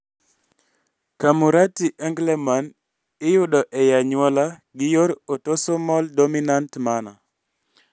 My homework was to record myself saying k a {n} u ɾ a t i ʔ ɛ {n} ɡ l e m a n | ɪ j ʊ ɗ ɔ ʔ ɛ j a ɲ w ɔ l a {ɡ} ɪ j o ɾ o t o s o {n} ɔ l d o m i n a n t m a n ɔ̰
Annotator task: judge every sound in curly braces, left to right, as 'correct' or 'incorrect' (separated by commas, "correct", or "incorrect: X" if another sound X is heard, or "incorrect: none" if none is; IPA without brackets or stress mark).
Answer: incorrect: m, incorrect: ŋ, correct, incorrect: m